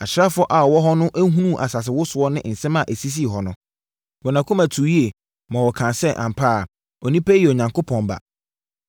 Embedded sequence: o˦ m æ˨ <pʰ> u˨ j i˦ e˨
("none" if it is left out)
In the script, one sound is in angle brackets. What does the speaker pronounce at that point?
tʰ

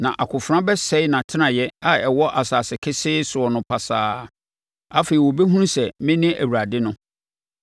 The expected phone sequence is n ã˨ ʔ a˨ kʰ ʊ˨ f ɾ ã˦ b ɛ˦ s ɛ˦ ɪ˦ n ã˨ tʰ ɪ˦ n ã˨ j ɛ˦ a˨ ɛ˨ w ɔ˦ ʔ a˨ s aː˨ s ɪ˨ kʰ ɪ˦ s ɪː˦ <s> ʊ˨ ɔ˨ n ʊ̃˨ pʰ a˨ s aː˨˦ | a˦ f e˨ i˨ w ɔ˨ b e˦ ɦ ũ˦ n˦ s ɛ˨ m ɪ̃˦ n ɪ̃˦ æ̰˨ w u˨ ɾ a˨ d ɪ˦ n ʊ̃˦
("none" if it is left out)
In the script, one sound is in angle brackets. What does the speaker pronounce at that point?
s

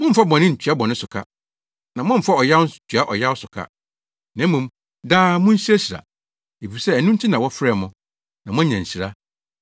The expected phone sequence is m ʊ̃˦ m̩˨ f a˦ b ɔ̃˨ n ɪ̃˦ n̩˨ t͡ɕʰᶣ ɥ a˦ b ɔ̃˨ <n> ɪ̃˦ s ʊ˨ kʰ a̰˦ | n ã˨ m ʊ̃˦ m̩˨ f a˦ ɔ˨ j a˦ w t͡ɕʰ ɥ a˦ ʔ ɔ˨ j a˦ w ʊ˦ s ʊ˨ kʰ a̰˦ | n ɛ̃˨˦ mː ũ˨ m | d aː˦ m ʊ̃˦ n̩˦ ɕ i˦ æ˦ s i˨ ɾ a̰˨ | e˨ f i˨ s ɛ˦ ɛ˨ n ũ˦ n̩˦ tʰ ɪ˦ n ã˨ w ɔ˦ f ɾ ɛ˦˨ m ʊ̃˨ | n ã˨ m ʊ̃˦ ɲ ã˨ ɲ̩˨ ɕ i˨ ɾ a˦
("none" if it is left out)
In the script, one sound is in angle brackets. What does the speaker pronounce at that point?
n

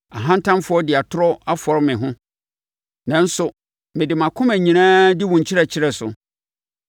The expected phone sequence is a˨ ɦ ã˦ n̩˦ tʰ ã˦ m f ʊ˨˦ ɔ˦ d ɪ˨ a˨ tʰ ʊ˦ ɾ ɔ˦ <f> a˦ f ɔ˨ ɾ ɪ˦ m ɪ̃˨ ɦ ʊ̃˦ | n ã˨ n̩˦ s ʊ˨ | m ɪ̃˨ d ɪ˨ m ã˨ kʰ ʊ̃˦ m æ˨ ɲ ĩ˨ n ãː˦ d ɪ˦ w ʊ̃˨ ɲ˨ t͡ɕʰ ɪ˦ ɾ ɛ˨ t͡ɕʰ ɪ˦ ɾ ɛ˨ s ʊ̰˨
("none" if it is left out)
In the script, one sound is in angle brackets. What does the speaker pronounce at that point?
none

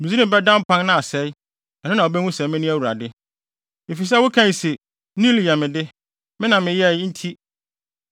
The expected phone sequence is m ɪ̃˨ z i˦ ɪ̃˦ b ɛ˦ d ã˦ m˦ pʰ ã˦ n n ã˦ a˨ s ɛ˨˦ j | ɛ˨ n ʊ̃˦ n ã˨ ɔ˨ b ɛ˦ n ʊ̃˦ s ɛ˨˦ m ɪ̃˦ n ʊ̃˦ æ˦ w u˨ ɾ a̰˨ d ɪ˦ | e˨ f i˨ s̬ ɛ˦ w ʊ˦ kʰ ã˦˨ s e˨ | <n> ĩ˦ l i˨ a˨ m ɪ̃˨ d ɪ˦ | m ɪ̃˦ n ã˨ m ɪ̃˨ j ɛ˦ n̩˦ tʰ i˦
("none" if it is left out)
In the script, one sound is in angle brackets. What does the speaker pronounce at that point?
n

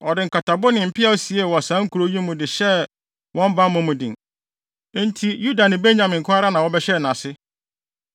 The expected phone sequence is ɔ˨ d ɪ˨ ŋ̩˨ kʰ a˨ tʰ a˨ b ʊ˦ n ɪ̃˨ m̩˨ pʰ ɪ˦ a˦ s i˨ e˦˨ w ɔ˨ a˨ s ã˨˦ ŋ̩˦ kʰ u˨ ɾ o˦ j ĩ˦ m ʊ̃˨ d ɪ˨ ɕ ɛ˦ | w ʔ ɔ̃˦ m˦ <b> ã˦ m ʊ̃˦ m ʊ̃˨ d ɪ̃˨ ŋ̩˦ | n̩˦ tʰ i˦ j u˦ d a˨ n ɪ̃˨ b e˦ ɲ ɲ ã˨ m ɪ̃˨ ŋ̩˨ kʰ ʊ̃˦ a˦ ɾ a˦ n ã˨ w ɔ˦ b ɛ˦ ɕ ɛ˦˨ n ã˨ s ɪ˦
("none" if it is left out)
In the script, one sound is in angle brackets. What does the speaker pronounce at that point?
b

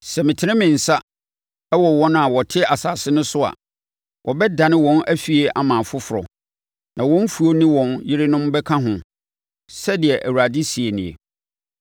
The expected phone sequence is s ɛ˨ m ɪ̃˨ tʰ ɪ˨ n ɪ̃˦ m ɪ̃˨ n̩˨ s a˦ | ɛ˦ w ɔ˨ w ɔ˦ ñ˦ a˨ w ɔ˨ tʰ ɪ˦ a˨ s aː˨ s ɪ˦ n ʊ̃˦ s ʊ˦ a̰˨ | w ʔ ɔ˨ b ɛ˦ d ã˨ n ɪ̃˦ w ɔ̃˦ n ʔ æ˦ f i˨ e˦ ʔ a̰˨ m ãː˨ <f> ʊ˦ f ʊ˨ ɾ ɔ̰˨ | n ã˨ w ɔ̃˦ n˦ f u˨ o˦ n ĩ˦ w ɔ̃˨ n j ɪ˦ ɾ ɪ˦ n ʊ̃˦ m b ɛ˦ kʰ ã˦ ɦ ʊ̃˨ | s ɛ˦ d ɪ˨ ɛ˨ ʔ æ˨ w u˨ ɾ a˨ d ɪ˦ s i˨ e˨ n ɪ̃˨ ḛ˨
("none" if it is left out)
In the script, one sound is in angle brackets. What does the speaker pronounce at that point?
f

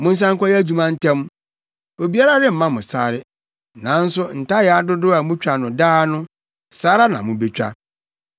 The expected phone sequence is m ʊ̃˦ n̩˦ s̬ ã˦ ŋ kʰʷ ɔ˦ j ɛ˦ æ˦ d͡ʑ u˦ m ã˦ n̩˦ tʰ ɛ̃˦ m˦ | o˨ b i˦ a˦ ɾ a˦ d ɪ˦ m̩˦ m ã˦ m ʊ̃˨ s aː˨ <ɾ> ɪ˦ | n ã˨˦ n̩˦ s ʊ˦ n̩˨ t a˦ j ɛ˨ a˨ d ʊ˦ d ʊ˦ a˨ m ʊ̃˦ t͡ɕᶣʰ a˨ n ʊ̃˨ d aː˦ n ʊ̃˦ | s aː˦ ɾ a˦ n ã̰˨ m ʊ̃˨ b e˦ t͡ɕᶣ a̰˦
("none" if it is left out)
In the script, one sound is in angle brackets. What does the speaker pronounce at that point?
ɾ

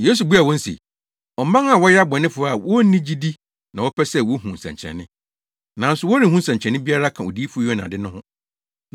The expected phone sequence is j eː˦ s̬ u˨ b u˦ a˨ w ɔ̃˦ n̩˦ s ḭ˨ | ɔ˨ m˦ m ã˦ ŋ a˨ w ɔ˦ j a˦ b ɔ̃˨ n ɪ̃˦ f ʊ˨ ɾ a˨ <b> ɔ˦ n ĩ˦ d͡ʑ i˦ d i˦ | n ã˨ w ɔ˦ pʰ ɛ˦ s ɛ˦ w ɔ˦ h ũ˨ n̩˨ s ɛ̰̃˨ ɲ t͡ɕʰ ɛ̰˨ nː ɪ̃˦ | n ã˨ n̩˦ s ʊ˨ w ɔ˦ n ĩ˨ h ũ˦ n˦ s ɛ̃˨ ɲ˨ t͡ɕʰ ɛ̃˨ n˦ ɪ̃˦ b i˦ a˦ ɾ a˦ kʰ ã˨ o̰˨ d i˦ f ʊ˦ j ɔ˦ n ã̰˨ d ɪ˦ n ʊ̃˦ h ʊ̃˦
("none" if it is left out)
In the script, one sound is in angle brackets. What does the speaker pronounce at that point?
w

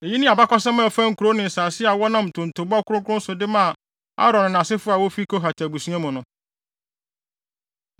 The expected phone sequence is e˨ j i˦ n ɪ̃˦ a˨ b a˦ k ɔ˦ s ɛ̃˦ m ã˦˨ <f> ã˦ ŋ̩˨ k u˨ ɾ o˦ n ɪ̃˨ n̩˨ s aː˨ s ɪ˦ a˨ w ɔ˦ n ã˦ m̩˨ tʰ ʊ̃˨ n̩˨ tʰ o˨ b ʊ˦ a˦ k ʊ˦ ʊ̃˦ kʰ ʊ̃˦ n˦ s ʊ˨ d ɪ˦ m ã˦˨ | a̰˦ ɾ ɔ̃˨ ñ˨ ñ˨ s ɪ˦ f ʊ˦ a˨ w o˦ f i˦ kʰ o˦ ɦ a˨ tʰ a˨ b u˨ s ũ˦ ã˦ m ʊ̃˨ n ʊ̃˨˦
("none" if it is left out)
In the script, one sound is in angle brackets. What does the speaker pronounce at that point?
f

